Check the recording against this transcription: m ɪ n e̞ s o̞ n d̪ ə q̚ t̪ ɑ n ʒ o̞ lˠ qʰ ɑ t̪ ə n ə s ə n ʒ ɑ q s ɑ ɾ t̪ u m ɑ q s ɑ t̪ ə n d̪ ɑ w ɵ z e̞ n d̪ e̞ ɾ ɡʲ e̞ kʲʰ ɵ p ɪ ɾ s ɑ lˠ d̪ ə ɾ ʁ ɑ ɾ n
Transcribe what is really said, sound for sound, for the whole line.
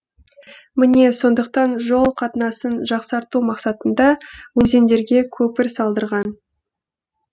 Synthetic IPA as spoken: m ɪ n e̞ s o̞ n d̪ ə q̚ t̪ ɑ n ʒ o̞ lˠ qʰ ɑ t̪ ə n ɑ s ə n ʒ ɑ q s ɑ ɾ t̪ u m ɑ q s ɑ t̪ ə n d̪ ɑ w ɵ z e̞ n d̪ e̞ ɾ ɡʲ e̞ kʲʰ ɵ p ɪ ɾ s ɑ lˠ d̪ ə ɾ ʁ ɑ n